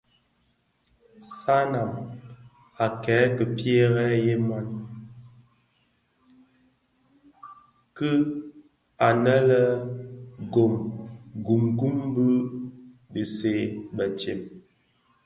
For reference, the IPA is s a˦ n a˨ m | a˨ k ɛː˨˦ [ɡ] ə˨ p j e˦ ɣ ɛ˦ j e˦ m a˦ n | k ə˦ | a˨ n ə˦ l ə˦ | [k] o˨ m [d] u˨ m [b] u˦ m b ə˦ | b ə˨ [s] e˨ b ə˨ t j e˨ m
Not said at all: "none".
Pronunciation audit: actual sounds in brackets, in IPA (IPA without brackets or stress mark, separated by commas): k, ɡ, ɡ, ɡ, s